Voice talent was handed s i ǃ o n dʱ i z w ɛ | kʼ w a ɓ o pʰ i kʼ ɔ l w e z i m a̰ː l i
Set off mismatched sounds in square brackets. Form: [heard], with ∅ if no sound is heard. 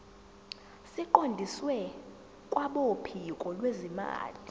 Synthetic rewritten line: s i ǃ o n dʱ i [s] w ɛ | kʼ w a ɓ o pʰ i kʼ ɔ l w e z i m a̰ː l i